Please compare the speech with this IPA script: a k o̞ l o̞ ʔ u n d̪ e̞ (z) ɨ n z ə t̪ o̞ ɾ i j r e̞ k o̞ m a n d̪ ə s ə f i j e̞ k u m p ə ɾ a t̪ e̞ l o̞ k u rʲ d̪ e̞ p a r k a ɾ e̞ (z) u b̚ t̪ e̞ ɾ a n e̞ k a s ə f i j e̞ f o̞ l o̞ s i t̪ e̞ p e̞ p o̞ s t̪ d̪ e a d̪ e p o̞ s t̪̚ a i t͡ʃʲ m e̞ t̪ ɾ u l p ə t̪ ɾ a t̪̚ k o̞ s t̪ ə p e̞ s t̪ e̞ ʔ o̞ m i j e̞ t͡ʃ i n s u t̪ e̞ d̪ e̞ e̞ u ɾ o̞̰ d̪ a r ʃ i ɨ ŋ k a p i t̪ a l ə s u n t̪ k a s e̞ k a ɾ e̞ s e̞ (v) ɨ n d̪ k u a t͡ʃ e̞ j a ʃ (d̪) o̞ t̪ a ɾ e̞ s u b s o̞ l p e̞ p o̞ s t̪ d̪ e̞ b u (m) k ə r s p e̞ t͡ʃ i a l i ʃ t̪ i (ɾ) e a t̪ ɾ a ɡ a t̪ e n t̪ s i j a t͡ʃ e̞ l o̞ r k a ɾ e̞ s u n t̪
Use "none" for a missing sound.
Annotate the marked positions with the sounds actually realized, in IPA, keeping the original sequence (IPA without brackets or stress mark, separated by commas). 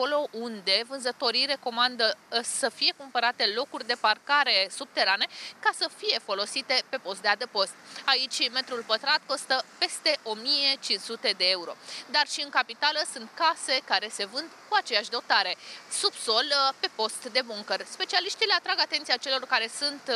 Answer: v, s, v, d̪, ŋ, l